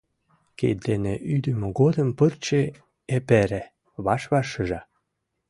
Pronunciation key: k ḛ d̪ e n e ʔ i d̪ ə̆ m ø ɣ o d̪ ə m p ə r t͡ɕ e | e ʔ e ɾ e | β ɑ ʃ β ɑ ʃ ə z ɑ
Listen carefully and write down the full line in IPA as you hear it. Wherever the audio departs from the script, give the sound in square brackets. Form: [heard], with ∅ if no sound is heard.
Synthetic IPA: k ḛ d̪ e n e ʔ [y] d̪ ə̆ m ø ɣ o d̪ ə m p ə r t͡ɕ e | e [p] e ɾ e | β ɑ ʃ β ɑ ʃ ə [ʒ] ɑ